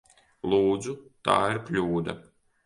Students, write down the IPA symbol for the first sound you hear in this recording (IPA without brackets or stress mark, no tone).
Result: lˠ